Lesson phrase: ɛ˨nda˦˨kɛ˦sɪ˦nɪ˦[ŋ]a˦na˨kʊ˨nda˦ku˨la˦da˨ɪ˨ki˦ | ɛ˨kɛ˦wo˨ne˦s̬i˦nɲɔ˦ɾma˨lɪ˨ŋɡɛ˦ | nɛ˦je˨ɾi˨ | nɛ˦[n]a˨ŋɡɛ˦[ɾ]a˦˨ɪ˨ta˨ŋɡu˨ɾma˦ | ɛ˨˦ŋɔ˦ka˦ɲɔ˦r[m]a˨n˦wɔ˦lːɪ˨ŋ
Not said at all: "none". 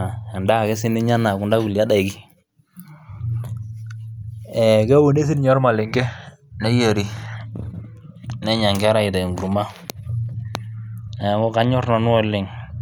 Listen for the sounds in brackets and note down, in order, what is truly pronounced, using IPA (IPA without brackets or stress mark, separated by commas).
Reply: ɲ, ɲ, ɾ, n